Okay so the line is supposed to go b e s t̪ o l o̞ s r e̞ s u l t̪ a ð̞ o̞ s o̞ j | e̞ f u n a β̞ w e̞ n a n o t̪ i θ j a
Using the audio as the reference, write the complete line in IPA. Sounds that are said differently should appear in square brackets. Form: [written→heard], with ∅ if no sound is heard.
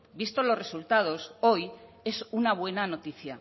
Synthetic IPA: b [e→i] s t̪ o l o̞ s r e̞ s u l t̪ a ð̞ o̞ s o̞ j | e̞ [f→s] u n a β̞ w e̞ n a n o t̪ i θ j a